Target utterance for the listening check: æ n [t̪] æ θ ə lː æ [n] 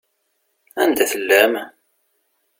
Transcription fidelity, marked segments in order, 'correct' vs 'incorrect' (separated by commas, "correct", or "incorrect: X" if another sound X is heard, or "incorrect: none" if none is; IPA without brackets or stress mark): incorrect: d̪, incorrect: m